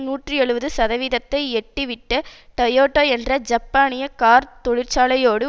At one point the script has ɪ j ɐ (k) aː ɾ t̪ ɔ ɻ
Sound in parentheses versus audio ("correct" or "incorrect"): correct